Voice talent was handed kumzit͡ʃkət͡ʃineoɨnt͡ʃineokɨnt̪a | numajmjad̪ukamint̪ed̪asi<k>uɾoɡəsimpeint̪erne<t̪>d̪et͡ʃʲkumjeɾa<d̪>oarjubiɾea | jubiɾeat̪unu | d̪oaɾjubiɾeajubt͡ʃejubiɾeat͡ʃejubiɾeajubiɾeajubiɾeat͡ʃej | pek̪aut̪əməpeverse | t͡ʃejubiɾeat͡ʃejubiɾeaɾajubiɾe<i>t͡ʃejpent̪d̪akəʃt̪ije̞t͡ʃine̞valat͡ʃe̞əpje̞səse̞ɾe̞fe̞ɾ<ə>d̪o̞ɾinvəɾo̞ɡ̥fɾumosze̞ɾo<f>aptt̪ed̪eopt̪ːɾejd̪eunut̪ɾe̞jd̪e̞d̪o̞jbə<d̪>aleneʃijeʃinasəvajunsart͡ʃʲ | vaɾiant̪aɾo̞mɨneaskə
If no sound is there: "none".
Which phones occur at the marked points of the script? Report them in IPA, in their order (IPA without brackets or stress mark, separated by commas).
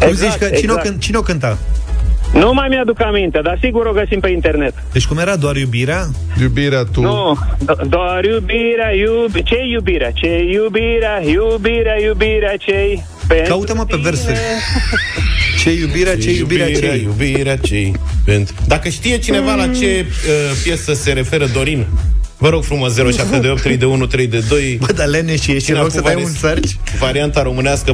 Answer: ɡ, t̪, d̪, a, ə, ʃ, d̪